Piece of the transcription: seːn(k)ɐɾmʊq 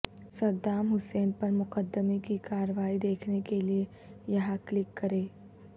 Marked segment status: incorrect: p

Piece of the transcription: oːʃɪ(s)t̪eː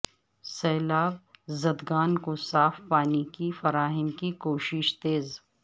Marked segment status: incorrect: ʃ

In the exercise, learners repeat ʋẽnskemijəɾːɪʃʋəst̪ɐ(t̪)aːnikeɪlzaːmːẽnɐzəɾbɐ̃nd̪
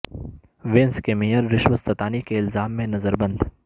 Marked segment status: correct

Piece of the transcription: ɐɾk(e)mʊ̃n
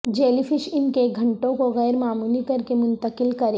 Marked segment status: correct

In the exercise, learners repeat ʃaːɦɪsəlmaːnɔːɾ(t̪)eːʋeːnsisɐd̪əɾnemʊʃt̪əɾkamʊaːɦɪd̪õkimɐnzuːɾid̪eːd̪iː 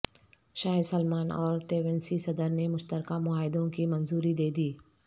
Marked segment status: correct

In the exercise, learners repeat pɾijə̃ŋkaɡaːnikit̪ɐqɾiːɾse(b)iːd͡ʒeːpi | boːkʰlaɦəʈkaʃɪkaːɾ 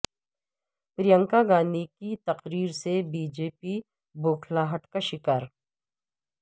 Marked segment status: correct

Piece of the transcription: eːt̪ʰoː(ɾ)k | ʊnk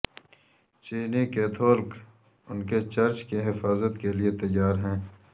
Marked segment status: incorrect: l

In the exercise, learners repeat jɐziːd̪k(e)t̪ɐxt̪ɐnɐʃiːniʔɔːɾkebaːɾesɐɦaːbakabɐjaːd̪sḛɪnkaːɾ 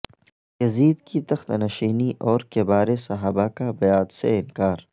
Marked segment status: incorrect: i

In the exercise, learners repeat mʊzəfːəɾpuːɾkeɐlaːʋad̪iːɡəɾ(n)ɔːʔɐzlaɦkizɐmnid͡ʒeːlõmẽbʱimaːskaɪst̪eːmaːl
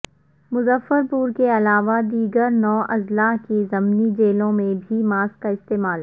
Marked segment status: correct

